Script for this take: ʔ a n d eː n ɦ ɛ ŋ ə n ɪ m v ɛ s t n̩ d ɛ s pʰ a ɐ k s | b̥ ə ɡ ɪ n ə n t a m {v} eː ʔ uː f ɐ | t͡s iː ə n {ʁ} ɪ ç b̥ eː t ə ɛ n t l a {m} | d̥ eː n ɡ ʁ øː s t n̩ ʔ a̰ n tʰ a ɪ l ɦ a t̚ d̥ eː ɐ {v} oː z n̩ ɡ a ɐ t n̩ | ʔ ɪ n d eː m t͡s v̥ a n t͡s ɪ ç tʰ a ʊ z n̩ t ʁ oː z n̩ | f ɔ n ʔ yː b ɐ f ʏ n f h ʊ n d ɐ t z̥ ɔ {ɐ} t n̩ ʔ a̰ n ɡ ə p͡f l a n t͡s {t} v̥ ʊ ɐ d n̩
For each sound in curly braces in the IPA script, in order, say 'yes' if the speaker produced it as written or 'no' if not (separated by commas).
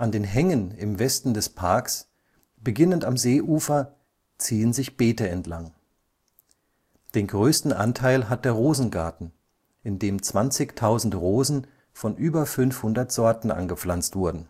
no, no, no, no, yes, yes